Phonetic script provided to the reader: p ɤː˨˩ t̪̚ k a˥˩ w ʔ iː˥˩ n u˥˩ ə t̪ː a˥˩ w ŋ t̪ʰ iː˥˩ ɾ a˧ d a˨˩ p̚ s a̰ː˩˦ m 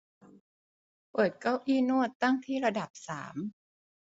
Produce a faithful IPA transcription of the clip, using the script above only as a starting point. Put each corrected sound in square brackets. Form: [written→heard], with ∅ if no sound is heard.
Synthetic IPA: p ɤː˨˩ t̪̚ k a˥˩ w ʔ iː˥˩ n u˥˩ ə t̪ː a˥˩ [w→∅] ŋ t̪ʰ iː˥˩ ɾ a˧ d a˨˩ p̚ s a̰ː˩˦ m